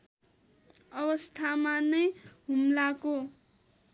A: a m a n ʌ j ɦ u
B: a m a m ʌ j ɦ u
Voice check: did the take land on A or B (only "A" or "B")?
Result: A